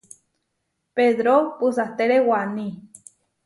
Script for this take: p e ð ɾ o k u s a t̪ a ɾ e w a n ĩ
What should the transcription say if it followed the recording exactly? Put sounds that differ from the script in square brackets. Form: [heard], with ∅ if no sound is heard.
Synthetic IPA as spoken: p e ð ɾ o [p] u s a t̪ [e] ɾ e w a n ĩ